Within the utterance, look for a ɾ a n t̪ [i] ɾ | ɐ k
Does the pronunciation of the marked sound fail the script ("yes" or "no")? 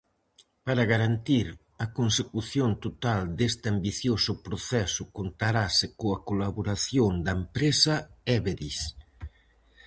no